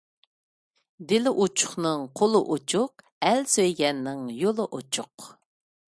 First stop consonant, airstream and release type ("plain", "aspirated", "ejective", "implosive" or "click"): plain